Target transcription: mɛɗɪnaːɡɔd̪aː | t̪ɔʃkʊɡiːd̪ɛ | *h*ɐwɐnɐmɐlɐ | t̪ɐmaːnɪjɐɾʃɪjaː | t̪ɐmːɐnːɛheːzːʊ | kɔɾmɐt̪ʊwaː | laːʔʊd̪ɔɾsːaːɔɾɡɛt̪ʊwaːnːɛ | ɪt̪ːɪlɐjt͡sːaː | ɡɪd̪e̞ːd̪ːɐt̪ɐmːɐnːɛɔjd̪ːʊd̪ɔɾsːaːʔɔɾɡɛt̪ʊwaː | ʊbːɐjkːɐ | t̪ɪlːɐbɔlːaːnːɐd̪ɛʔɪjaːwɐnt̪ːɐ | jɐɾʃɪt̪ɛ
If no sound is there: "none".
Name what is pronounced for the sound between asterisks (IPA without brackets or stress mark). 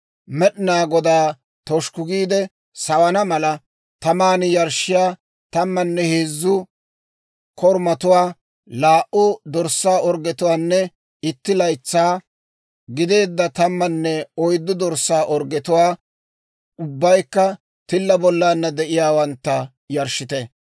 s